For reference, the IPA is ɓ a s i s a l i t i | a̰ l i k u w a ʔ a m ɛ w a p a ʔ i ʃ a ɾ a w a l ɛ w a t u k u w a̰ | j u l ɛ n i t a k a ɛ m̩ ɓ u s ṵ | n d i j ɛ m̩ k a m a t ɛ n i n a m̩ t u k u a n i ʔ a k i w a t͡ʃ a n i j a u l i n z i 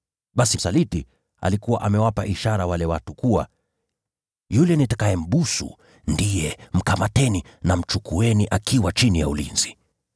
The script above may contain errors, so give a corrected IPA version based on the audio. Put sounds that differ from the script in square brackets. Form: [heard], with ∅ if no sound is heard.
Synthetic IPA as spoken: ɓ a s i s a l i t i | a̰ l i k u w a ʔ a m ɛ w a p a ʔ i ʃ a ɾ a w a l ɛ w a t u k u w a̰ | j u l ɛ n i t a k a ɛ m̩ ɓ u s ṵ | n d i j ɛ m̩ k a m a t ɛ n i n a m̩ [t͡ʃ] u k u [ɛ] n i ʔ a k i w a t͡ʃ [i] n i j a u l i n z i